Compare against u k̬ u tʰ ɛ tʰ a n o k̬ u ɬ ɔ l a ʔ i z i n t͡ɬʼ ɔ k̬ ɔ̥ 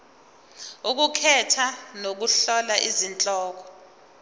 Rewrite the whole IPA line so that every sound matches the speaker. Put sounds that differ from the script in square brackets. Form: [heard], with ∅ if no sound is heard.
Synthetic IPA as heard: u k̬ u [kʰ] ɛ tʰ a n o k̬ u ɬ ɔ l a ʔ i z i n t͡ɬʼ [ɔː] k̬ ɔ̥

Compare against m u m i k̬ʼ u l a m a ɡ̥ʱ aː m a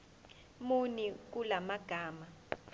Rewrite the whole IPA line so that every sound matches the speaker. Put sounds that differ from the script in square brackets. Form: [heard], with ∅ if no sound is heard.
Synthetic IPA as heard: m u [n] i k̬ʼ u l a m a ɡ̥ʱ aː m a

